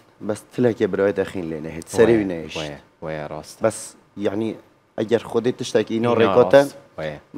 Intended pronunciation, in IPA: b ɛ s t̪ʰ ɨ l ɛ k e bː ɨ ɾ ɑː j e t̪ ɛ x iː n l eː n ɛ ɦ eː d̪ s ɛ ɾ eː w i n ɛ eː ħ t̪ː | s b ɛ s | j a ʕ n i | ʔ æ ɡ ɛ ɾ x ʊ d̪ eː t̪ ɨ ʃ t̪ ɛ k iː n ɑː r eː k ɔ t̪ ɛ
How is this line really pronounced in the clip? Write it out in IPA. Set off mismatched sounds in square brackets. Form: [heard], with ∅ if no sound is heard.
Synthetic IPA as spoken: b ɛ s t̪ʰ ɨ l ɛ k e [b] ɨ ɾ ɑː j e t̪ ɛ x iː n l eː n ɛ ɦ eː [t̪] s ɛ ɾ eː w i n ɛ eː [ʃ] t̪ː | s b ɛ s | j a ʕ n i | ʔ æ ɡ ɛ ɾ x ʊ d̪ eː t̪ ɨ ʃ t̪ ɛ k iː n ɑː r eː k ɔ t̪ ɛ